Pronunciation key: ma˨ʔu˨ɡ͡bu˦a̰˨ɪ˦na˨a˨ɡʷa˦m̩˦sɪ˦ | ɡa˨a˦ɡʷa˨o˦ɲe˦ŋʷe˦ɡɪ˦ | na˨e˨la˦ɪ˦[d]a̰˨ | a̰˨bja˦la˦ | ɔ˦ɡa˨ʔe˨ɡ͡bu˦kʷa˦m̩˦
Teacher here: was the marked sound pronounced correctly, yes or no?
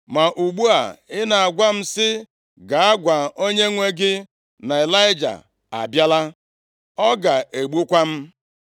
no